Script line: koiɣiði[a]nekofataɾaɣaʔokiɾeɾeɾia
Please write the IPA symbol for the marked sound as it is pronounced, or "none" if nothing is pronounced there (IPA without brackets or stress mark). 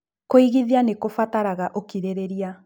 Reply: a